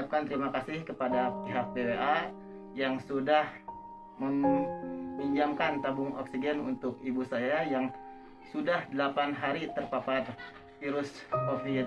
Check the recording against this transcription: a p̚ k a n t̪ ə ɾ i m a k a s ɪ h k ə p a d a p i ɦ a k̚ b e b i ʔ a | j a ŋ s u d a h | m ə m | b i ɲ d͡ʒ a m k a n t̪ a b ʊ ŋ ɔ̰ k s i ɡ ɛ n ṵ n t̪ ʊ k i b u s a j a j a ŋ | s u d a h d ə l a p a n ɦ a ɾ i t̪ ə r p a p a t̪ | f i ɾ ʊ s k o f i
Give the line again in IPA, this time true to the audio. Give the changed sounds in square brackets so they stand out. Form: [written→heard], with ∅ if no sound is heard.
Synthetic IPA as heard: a p̚ k a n t̪ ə ɾ i m a k a s ɪ h k ə p a d a p i ɦ a k̚ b e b [i→e] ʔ a | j a ŋ s u d a h | m ə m | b i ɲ d͡ʒ a m k a n t̪ a b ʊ ŋ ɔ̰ k s i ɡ ɛ n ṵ n t̪ ʊ k i b u s a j a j a ŋ | s u d a h d ə l a p a n ɦ a ɾ i t̪ ə r p a p a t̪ | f i ɾ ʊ s k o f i